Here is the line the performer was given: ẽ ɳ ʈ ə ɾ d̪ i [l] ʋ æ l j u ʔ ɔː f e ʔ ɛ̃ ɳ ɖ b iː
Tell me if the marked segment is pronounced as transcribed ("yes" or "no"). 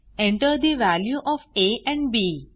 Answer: no